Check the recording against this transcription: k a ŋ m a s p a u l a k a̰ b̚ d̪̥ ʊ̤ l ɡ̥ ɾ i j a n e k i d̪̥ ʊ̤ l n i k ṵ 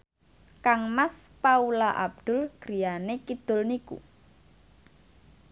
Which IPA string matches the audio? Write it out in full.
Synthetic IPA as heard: k a ŋ m a s p a u l a ʔ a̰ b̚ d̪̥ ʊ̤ l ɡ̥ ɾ i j a n e k i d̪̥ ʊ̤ l n i k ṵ